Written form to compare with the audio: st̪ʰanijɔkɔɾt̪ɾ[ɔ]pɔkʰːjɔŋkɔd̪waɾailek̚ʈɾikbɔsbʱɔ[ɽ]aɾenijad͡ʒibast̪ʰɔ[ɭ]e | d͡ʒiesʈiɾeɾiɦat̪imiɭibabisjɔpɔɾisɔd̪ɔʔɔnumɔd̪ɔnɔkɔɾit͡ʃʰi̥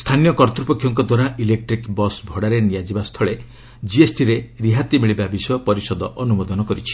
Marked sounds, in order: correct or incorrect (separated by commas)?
incorrect, correct, correct